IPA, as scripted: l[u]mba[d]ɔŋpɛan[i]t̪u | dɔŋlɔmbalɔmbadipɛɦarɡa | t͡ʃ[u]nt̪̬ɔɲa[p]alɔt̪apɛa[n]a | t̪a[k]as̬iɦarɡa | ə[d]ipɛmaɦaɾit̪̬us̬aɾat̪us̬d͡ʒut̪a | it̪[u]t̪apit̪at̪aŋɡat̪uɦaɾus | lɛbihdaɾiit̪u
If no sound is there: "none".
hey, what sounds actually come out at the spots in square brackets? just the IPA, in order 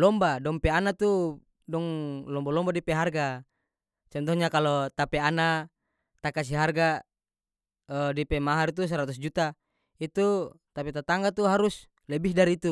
ɔ, d, a, ɔ, k, n, k, d, u

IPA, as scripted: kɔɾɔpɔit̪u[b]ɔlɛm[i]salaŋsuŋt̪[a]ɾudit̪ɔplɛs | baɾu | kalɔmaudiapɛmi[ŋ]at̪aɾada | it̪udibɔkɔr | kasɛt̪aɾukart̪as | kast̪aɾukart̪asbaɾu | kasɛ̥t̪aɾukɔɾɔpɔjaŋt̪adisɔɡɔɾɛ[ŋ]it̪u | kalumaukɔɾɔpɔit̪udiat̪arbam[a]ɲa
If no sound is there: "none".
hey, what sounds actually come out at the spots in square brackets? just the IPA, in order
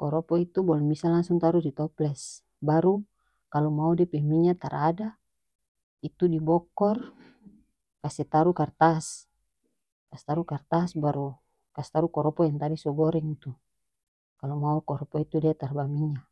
b, i, a, ɲ, ŋ, i

